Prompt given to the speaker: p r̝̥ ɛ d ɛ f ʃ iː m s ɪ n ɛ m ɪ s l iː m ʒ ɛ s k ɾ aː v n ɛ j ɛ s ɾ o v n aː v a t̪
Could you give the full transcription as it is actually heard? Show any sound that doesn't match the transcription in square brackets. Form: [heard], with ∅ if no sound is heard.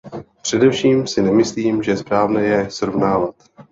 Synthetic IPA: p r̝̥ ɛ d ɛ f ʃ iː m s ɪ n ɛ m ɪ s l iː m ʒ ɛ s [p] ɾ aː v n ɛ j ɛ s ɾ o v n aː v a t̪